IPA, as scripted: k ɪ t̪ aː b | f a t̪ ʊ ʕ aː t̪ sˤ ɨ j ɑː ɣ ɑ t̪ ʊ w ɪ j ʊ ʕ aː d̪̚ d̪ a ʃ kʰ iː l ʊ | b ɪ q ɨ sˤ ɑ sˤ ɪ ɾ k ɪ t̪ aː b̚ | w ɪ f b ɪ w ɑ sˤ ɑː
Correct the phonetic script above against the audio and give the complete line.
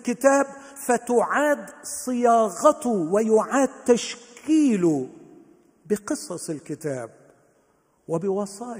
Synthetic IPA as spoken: k ɪ t̪ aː b | f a t̪ ʊ ʕ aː d̪ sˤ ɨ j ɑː ɣ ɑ t̪ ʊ w ɪ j ʊ ʕ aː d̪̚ t̪ a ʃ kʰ iː l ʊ | b ɪ q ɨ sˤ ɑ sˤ ɪ l k ɪ t̪ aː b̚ | w ɪ b ɪ w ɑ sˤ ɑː